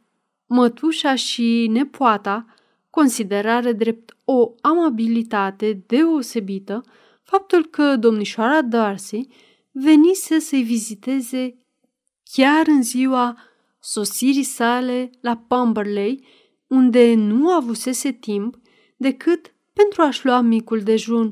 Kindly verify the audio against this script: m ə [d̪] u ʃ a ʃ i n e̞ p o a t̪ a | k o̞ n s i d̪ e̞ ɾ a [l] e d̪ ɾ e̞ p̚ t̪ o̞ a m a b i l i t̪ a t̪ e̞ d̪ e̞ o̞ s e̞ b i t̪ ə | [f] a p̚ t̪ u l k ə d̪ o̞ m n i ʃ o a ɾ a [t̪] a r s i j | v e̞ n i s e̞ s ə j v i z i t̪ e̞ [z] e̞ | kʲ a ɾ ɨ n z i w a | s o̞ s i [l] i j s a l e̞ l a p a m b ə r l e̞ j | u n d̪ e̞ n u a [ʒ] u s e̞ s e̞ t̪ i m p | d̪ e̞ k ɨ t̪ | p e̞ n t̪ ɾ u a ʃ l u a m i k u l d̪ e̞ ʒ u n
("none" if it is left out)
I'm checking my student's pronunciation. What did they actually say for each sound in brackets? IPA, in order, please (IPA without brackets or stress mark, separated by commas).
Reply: t̪, ɾ, f, d̪, z, ɾ, v